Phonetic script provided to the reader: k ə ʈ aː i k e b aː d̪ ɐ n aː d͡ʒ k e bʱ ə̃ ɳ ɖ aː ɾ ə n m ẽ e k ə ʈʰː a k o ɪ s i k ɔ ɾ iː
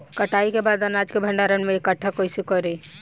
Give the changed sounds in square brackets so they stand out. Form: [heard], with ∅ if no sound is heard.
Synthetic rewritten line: k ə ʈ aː i k e b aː d̪ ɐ n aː d͡ʒ k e bʱ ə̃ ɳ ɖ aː ɾ ə n m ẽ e k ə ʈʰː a k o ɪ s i k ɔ ɾ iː